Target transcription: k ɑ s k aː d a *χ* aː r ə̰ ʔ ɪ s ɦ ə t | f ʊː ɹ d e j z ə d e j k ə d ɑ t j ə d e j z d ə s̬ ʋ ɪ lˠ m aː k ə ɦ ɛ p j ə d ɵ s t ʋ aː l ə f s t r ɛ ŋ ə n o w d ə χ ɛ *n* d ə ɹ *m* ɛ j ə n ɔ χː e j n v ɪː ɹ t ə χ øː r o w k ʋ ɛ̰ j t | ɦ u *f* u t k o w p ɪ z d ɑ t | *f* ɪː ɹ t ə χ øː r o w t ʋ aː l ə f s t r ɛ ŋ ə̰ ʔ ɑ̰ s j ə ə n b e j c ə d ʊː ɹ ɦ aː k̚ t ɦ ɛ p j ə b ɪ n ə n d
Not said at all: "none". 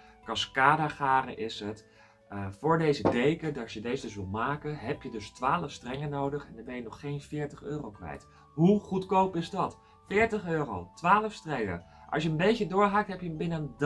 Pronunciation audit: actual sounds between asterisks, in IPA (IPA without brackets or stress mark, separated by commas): χ, n, b, χ, f